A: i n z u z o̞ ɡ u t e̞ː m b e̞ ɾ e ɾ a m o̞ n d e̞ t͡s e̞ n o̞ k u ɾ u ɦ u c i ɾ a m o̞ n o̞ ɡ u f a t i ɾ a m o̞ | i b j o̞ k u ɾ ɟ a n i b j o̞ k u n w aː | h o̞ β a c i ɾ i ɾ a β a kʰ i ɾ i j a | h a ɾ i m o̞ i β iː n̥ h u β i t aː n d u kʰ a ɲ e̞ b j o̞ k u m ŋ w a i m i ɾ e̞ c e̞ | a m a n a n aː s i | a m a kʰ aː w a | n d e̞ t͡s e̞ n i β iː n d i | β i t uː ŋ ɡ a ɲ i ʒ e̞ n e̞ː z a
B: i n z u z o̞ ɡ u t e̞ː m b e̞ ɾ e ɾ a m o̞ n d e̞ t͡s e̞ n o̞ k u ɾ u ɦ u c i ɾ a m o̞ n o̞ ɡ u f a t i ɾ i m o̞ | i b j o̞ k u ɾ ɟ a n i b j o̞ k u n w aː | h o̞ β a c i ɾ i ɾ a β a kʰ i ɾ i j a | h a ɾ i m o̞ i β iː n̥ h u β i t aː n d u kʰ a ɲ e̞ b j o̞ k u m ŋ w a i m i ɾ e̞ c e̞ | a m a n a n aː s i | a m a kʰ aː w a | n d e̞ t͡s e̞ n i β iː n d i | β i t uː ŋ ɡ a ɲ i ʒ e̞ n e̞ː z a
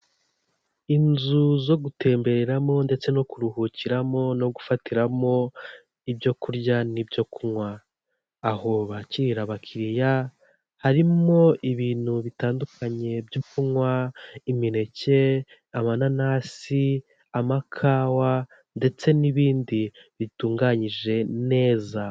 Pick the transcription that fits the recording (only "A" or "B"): A